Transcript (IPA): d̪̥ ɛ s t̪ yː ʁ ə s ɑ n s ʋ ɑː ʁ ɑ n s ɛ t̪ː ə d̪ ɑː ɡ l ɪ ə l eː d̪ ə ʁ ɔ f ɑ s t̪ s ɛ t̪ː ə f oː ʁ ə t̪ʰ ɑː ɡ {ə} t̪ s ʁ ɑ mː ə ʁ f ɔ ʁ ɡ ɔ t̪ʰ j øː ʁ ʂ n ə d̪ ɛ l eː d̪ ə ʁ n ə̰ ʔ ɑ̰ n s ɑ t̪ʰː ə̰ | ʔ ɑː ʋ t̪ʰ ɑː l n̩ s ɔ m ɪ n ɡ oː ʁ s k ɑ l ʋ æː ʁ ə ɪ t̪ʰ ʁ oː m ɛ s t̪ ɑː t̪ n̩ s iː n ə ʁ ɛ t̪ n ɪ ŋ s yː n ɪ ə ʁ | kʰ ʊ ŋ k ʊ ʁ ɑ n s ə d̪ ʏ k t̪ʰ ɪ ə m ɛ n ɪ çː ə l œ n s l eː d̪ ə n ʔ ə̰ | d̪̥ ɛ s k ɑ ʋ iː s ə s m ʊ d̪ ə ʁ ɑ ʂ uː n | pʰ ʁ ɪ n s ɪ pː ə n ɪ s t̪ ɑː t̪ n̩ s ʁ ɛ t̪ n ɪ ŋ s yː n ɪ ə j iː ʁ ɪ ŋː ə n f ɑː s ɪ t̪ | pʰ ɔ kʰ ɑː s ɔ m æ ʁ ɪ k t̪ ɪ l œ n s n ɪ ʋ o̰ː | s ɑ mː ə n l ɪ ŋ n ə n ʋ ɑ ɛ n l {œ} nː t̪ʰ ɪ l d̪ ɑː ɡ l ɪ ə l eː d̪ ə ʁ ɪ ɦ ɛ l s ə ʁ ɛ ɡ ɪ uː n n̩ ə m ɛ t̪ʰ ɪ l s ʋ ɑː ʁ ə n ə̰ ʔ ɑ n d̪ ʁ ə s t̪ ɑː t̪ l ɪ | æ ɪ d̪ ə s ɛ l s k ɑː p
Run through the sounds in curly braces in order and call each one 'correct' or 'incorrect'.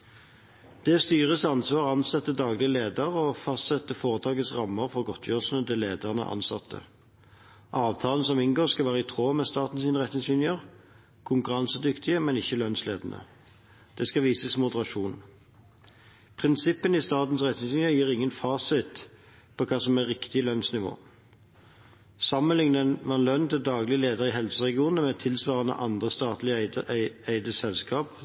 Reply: correct, correct

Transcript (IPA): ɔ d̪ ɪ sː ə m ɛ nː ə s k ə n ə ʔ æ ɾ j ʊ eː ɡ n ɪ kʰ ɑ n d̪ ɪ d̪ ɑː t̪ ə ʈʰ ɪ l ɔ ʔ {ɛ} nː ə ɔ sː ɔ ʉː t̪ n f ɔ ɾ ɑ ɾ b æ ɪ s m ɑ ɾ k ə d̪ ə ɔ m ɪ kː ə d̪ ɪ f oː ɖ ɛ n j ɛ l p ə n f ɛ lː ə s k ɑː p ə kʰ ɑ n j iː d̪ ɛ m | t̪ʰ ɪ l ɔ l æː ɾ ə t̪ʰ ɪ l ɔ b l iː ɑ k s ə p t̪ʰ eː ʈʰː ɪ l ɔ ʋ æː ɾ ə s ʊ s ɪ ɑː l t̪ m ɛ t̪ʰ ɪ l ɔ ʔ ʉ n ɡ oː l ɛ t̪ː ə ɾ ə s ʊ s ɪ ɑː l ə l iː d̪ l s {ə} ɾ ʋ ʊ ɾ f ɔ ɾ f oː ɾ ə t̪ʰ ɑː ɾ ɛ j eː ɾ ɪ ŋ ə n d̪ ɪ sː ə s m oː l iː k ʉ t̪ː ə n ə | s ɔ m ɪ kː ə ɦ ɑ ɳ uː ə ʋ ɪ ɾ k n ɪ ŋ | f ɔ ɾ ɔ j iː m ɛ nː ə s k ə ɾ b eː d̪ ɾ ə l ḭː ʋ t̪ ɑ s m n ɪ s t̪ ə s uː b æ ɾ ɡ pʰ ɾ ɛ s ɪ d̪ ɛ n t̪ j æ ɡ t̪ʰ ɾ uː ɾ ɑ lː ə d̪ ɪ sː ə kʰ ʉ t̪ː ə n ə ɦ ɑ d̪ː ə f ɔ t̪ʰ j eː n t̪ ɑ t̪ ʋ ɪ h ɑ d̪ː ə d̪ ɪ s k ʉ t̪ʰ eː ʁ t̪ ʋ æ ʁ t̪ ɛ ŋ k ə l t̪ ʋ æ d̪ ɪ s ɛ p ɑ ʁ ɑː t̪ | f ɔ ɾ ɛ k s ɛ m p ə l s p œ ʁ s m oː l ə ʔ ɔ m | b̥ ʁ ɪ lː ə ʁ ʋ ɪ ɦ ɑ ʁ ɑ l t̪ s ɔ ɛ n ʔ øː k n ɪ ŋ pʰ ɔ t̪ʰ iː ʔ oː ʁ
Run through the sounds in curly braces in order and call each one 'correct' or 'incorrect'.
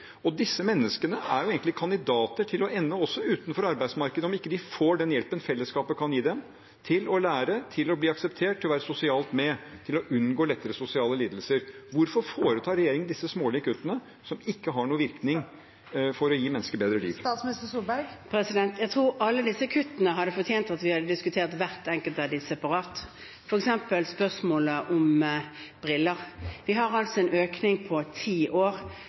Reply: correct, correct

